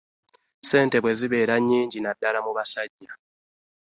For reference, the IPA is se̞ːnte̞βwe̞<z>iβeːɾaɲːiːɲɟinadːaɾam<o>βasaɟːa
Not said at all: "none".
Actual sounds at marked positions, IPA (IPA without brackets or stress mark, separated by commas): z, u